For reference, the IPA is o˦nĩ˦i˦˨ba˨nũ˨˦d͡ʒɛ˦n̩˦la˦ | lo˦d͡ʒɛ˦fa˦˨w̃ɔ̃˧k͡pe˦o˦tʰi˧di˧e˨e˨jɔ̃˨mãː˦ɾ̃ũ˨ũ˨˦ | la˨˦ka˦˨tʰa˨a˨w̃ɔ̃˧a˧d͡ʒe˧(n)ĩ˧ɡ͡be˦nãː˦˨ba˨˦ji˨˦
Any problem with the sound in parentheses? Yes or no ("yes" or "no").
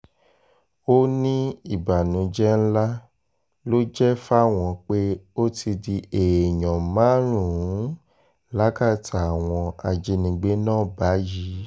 no